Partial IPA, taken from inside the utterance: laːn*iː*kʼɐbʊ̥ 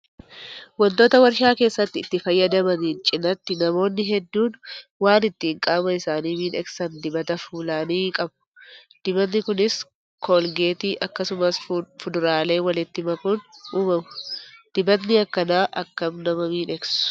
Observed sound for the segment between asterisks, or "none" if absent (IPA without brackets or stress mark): iː